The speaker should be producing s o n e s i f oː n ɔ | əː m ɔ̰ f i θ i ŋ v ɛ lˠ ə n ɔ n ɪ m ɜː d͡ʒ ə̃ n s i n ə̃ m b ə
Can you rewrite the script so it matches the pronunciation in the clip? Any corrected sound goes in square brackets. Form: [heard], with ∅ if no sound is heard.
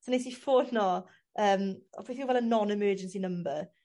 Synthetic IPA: s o n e s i f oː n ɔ | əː m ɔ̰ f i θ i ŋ v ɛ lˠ ə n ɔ n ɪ m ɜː d͡ʒ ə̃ n s i n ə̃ m b ə